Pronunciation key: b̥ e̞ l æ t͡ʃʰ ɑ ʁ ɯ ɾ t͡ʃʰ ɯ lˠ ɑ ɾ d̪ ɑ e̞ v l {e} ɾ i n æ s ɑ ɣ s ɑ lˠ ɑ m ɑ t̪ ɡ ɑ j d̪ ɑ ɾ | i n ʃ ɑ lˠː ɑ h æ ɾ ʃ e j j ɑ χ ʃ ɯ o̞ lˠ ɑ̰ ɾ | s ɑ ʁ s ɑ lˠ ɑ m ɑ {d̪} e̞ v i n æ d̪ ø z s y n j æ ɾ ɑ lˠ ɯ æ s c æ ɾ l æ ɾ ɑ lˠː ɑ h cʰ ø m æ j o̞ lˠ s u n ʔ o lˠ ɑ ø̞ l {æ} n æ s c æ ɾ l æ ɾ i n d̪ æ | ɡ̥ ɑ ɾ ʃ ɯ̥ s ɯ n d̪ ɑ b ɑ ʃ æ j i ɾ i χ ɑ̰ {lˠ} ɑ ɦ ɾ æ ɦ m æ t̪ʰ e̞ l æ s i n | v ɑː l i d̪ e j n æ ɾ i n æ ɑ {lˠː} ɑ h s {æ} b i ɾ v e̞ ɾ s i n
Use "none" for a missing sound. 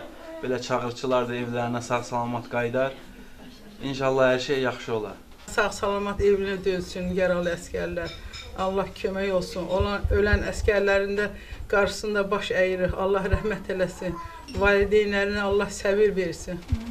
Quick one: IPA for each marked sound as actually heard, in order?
æ, t̪, æ, lˠː, lˠː, æ

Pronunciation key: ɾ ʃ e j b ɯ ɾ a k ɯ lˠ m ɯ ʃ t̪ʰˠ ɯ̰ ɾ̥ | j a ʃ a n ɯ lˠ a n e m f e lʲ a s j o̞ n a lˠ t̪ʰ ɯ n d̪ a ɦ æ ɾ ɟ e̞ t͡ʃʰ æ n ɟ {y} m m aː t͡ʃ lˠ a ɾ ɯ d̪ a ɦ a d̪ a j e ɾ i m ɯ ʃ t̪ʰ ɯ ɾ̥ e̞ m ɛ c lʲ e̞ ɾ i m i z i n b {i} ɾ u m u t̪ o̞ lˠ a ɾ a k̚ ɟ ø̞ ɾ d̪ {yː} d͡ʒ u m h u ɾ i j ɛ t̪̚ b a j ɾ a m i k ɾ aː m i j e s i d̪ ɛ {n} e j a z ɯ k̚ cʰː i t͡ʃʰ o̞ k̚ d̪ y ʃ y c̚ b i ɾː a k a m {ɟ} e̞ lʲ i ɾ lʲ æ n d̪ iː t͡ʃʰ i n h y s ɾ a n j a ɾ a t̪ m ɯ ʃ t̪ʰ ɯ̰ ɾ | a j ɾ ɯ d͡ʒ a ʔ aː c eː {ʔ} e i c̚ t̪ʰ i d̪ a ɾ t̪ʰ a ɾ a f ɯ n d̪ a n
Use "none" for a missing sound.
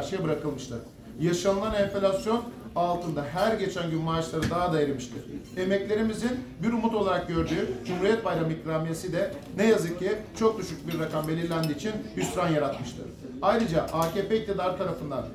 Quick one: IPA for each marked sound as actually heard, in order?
y, i, yː, n, b, p

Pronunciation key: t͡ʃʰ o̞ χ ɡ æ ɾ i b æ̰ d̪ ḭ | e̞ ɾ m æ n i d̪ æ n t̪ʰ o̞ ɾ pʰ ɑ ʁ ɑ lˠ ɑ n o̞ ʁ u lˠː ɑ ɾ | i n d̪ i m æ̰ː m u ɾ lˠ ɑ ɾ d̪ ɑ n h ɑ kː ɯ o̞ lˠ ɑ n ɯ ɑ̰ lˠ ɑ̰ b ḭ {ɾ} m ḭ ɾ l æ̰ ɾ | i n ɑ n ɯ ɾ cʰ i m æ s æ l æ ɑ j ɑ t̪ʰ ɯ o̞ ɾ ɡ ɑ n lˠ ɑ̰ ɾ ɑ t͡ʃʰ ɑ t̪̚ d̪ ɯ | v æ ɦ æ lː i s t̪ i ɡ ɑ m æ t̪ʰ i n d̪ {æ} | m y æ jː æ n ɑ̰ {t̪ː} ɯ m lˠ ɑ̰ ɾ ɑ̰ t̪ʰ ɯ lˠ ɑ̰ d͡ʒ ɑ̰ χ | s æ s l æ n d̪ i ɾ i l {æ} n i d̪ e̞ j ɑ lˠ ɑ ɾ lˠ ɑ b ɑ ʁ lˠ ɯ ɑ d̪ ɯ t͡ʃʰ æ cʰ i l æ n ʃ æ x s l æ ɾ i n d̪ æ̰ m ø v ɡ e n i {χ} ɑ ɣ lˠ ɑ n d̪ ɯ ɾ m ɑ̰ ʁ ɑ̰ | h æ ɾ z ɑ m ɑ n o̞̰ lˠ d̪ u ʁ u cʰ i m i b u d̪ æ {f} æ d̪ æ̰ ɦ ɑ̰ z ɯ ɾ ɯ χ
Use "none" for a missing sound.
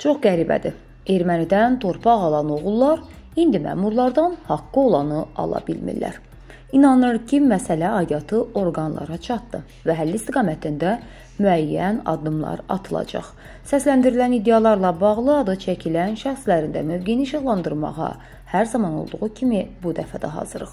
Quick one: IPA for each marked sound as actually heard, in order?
l, æ, d̪ː, æ, ʃ, f

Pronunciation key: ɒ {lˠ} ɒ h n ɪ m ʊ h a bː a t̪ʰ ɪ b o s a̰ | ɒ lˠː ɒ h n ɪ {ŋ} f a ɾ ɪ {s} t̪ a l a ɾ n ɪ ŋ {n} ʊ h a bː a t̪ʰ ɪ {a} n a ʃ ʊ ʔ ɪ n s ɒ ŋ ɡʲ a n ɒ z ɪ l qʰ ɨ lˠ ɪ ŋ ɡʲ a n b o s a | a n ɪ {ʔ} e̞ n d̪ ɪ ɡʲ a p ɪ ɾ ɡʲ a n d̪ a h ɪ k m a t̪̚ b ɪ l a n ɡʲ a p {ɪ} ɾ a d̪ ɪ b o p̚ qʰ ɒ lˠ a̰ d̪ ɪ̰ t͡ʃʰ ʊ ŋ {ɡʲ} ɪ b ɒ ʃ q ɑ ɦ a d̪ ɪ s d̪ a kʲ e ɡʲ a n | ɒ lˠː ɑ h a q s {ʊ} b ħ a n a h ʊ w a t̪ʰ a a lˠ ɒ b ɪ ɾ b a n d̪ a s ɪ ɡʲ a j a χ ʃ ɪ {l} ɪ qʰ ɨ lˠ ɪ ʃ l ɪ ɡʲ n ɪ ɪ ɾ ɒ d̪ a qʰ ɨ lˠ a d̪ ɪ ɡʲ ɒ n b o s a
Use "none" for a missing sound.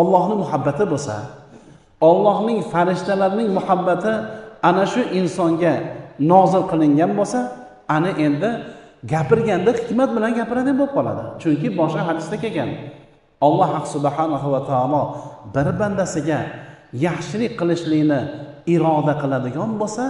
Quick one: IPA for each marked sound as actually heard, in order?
lˠː, ŋ, ʃ, m, a, ʔ, ɪ, kʲ, ʊ, l

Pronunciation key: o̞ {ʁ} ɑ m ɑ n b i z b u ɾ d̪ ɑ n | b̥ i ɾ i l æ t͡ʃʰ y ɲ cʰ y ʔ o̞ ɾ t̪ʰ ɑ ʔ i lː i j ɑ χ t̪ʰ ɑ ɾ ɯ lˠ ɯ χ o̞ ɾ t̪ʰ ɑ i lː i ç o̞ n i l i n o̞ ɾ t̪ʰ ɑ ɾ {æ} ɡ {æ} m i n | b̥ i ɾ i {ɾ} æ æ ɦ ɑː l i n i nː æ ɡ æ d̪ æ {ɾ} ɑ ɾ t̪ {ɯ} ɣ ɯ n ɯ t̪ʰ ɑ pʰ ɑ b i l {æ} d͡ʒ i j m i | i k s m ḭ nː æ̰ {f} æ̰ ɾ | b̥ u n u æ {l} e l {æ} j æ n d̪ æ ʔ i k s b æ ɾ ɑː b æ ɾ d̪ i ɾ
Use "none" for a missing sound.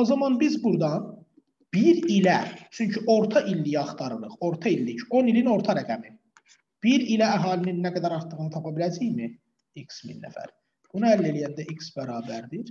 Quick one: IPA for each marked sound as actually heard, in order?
z, æ, æ, l, ɾ, ɯ, æ, f, lː, i

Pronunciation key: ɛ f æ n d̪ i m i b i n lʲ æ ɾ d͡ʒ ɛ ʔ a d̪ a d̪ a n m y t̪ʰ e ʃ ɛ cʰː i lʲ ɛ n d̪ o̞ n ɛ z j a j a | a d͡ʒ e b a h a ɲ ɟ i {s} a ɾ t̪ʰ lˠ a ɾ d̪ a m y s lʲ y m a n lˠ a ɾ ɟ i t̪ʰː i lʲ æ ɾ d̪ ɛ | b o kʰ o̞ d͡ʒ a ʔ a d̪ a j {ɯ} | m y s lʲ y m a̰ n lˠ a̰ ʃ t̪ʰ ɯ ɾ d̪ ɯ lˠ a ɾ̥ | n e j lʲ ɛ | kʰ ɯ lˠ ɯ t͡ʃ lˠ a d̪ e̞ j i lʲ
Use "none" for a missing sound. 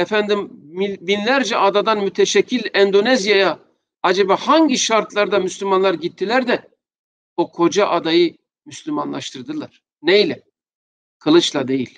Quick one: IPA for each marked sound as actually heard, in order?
ʃ, ɯ

